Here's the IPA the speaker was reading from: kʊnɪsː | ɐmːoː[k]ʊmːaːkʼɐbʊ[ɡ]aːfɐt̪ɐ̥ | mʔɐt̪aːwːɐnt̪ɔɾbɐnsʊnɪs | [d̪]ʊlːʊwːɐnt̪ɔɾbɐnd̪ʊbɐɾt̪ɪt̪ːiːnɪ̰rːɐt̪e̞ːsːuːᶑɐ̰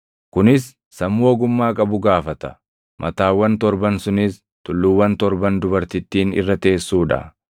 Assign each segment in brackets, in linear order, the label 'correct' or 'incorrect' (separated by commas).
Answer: incorrect, correct, incorrect